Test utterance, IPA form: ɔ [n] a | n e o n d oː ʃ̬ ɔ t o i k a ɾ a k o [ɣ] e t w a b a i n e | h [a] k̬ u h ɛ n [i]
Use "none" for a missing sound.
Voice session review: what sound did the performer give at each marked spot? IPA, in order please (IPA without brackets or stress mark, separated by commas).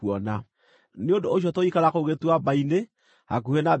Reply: n, ɣ, a, a